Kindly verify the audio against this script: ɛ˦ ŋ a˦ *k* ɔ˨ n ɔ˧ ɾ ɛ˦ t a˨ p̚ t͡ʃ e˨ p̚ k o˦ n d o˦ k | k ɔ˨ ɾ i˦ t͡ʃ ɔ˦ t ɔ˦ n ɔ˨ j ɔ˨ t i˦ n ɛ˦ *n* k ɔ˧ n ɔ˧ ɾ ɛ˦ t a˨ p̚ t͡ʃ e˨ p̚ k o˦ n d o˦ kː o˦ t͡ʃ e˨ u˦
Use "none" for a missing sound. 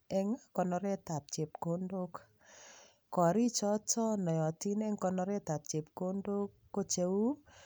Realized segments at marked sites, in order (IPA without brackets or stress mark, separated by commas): k, ŋ